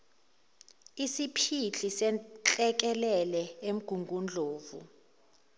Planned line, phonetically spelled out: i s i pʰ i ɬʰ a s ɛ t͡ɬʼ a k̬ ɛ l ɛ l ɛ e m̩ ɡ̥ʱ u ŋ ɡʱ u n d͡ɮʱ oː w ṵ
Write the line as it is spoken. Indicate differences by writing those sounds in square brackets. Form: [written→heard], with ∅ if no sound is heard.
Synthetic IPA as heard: i s i pʰ i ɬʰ [a→i] s ɛ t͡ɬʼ [a→ɛ] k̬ ɛ l ɛ l ɛ e m̩ ɡ̥ʱ u ŋ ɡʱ u n d͡ɮʱ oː [w→v] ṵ